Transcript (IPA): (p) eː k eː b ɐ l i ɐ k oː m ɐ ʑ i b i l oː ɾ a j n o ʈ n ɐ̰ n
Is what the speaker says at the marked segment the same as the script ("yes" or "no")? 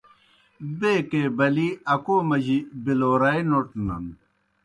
no